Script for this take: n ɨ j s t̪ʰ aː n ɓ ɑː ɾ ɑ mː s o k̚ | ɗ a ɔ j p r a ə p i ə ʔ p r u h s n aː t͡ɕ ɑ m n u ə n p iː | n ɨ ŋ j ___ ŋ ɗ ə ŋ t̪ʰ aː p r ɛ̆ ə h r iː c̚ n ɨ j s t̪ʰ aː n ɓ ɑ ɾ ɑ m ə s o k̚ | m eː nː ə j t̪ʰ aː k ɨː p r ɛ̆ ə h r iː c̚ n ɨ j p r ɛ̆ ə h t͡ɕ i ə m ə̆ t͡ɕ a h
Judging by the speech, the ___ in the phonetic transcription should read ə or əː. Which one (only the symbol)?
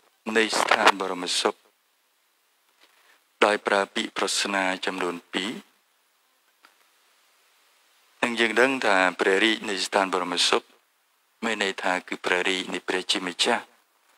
əː